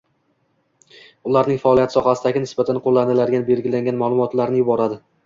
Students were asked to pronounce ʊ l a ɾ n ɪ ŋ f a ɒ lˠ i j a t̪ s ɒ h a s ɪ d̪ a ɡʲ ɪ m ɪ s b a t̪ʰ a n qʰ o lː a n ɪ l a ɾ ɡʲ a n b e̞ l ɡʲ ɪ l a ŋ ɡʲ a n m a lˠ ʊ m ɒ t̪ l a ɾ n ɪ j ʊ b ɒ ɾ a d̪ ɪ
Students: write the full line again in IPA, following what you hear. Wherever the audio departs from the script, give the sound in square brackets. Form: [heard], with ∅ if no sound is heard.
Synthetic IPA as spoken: ʊ l a ɾ n ɪ ŋ f a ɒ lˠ i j a t̪ s ɒ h a s ɪ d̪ a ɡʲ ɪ [n] ɪ s b a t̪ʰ a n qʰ o lː a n ɪ l a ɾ ɡʲ a n b e̞ l ɡʲ ɪ l a ŋ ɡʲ a n m a lˠ ʊ m ɒ t̪ l a ɾ n ɪ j ʊ b ɒ ɾ a d̪ ɪ